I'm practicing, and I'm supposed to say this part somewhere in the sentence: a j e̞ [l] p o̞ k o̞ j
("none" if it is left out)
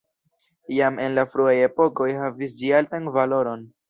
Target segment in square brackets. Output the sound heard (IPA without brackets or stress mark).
none